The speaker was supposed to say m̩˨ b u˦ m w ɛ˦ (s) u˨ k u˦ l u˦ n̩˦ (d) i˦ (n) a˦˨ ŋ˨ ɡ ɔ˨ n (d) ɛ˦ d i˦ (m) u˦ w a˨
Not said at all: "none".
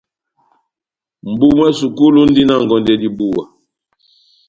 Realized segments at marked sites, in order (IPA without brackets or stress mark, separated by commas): s, d, n, d, b